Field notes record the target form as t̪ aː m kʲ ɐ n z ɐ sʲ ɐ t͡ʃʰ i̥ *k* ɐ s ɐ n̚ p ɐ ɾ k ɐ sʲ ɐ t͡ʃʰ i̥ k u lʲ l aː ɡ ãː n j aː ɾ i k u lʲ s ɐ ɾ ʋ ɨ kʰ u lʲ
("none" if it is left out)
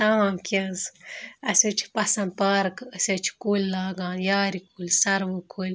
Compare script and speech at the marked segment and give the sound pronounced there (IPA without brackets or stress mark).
p